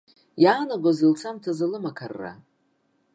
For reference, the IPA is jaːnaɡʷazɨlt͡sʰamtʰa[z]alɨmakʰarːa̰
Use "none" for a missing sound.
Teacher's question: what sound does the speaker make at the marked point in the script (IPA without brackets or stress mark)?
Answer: z